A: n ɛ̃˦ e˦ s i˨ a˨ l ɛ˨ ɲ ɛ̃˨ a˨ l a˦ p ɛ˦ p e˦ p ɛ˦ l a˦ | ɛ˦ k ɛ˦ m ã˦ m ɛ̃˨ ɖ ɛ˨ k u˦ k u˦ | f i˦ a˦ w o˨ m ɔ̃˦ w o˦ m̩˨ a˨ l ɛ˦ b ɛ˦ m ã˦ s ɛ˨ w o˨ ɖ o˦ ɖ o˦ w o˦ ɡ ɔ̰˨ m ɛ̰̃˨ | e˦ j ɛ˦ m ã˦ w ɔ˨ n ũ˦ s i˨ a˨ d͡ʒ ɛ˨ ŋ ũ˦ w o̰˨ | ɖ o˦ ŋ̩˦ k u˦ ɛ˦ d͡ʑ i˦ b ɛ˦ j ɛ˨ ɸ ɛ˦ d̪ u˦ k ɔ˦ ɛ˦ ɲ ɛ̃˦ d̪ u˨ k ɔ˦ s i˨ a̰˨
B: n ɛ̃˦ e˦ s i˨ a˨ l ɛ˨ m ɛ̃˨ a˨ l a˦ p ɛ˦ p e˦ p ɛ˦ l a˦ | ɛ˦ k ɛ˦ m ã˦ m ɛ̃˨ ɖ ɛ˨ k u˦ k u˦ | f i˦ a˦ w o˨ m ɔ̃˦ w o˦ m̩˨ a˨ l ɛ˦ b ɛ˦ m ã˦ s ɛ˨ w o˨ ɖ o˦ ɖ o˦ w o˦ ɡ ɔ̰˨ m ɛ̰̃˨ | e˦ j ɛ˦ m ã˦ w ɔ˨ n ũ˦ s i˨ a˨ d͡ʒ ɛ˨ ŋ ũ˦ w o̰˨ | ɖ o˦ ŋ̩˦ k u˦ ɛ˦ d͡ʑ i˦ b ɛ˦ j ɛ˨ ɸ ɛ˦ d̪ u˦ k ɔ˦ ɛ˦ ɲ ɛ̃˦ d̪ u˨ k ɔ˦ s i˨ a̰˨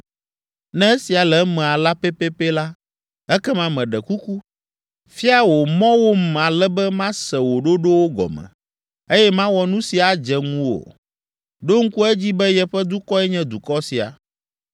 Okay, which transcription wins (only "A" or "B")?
B